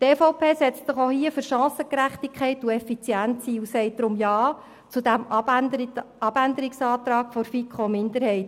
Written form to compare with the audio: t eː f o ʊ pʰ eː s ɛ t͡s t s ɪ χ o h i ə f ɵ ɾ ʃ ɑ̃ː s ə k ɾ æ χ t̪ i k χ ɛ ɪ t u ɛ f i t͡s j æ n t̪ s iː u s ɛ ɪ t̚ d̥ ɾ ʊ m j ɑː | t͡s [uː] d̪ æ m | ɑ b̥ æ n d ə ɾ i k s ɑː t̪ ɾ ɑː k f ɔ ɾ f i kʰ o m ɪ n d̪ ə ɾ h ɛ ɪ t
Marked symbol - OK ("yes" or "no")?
no